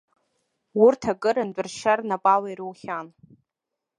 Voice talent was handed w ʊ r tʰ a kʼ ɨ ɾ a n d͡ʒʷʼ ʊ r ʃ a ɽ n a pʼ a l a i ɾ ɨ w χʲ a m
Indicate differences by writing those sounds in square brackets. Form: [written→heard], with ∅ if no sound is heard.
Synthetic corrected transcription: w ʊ r tʰ a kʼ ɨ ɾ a n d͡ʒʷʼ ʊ r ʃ a [ɽ→r] n a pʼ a l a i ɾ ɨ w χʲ a [m→n]